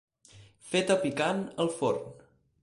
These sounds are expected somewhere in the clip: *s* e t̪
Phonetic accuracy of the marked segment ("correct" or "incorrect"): incorrect